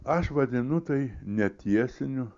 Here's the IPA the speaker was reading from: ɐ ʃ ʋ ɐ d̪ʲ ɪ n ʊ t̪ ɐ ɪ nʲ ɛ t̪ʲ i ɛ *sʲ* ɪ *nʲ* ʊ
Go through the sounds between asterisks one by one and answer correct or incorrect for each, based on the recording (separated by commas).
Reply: correct, correct